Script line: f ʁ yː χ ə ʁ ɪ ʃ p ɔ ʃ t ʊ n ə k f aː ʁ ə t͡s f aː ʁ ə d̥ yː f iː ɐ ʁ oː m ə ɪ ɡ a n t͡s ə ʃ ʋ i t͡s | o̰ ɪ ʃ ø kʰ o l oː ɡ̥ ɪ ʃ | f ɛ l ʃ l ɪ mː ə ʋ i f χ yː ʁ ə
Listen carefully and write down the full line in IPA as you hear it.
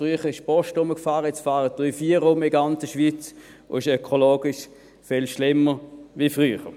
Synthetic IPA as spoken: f ʁ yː χ ə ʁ ɪ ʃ p ɔ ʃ t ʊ m ə k f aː ʁ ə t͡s f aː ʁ ə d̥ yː f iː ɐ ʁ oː m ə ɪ ɡ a n t͡s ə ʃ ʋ i t͡s | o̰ ɪ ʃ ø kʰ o l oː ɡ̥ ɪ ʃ | f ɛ l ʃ l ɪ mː ə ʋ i f ʁ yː χ ə